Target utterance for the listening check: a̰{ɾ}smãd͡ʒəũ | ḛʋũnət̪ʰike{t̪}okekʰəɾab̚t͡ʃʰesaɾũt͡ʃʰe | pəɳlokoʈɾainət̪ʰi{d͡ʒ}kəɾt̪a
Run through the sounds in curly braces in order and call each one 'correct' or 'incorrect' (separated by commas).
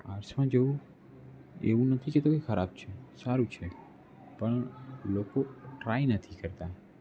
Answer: correct, correct, incorrect